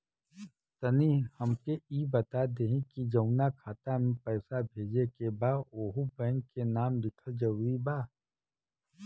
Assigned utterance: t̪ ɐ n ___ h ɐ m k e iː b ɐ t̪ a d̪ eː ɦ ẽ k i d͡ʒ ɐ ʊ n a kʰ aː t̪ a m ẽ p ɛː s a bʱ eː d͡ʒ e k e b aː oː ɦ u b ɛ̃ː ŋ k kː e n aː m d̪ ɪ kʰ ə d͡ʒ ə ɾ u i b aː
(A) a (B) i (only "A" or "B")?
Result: B